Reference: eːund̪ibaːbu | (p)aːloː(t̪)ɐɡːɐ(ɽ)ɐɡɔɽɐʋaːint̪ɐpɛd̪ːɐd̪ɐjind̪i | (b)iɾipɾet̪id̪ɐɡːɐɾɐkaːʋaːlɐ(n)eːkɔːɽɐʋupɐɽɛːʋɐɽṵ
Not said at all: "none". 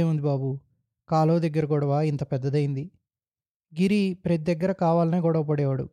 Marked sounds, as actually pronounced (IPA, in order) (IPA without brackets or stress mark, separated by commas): k, d̪, ɾ, ɡ, n